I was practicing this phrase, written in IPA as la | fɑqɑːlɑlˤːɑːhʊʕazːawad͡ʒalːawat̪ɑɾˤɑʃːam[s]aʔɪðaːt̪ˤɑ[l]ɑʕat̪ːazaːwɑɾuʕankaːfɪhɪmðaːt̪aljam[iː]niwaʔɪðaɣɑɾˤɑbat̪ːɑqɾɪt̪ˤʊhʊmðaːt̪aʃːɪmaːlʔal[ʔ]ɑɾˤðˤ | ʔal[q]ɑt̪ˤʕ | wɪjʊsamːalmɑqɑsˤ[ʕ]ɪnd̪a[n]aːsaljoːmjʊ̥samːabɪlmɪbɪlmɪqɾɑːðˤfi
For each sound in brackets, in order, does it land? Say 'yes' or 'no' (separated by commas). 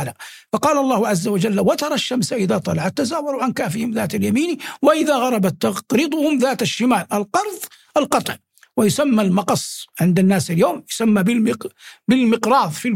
yes, yes, yes, no, yes, yes, no